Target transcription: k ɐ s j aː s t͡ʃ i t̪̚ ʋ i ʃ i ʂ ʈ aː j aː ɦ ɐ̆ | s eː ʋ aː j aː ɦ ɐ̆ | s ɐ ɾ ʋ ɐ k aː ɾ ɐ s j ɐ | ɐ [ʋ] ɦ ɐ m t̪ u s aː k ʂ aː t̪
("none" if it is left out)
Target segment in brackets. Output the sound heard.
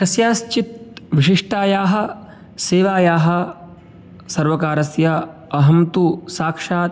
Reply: none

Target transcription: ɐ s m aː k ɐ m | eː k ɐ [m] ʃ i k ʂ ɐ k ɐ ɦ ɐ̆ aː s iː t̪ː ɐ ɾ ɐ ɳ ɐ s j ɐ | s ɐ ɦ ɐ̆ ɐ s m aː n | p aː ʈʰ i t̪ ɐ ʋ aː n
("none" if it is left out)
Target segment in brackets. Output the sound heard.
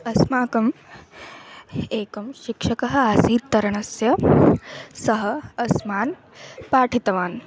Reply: m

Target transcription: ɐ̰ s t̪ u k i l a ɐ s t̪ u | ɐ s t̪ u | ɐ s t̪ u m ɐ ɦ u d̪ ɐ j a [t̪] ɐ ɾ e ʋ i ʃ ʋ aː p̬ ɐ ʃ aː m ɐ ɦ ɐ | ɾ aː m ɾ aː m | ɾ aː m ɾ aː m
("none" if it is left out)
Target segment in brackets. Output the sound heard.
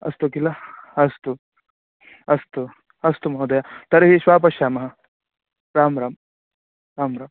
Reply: t̪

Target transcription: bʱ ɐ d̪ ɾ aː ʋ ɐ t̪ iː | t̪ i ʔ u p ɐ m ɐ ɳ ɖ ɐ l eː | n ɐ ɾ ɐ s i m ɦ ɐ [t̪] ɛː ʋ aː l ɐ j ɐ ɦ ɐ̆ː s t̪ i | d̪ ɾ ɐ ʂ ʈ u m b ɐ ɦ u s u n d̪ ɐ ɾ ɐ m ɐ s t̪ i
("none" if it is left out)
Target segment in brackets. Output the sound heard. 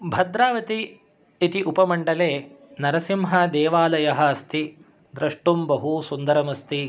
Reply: d̪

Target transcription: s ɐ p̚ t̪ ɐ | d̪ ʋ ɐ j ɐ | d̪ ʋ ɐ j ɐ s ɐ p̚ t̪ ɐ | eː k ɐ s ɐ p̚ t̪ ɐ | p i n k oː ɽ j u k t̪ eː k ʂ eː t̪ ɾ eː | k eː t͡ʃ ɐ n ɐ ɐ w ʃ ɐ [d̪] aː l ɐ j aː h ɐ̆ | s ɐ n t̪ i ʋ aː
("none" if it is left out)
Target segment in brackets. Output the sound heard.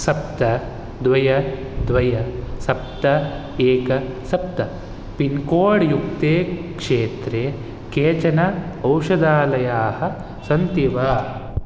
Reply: d̪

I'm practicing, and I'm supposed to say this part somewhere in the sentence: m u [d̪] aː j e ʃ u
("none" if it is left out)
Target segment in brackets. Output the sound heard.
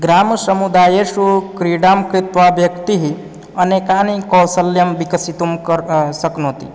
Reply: d̪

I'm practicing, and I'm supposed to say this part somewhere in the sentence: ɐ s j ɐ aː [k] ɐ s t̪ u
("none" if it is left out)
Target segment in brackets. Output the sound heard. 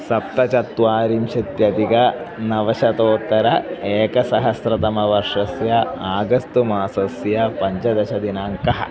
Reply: ɡ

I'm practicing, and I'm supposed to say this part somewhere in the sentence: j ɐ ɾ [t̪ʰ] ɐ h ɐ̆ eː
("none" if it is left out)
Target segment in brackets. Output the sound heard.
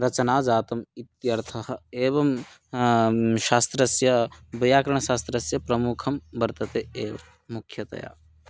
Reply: t̪ʰ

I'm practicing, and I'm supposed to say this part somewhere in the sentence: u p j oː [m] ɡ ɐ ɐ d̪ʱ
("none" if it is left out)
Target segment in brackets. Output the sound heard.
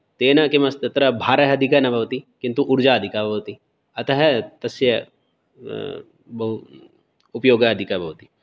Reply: none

